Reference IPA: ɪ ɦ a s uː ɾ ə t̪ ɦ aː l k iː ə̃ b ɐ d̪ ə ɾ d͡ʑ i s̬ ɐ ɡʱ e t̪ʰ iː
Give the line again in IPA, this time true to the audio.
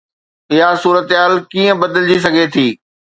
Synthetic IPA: ɪ ɦ a s uː ɾ ə t̪ ɦ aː l k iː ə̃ b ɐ d̪ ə l d͡ʑ i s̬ ɐ ɡʱ e t̪ʰ iː